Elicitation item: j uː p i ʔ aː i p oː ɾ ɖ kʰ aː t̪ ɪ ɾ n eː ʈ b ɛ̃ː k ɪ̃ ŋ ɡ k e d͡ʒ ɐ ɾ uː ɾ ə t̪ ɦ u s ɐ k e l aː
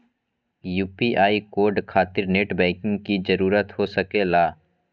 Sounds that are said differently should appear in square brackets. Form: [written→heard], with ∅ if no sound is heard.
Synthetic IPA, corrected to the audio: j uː p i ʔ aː i [p→k] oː ɾ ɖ kʰ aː t̪ ɪ ɾ n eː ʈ b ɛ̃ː k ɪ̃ ŋ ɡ k [e→i] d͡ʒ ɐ ɾ uː ɾ ə t̪ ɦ [u→o] s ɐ k e l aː